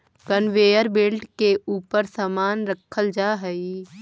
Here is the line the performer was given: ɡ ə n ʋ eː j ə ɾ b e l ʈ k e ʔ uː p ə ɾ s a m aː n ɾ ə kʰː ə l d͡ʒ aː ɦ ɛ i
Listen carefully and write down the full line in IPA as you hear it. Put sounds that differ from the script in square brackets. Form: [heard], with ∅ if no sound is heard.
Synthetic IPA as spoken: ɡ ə n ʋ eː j ə ɾ b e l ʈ k e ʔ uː p ə ɾ s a m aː n ɾ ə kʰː ə l d͡ʒ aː ɦ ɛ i